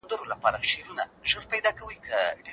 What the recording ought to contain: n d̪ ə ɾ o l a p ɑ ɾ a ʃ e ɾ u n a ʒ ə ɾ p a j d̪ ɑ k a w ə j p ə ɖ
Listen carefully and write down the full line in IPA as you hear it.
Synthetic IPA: n d̪ ə ɾ o l a p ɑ ɾ a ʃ e ɾ u n a ʒ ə ɾ p a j d̪ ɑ k a w ə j k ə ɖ